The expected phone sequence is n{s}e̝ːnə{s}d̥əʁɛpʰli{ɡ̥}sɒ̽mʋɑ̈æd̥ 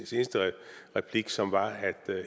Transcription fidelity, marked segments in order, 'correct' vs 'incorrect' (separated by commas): correct, correct, correct